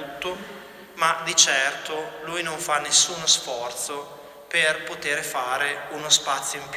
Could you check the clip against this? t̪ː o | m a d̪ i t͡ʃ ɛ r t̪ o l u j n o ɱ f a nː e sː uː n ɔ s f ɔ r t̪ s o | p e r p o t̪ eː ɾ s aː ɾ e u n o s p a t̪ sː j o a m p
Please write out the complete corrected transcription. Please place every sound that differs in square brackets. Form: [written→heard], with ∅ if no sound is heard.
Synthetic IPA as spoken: t̪ː o | m a d̪ i t͡ʃ ɛ r t̪ o l u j n o ɱ f a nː e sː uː n [ɔ→o] s f ɔ r t̪ s o | p e r p o t̪ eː ɾ [s→f] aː ɾ e u n o s p a t̪ sː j o [a→i] m p